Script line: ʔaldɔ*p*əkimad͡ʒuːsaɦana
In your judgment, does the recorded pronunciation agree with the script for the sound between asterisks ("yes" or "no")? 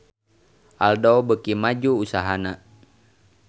no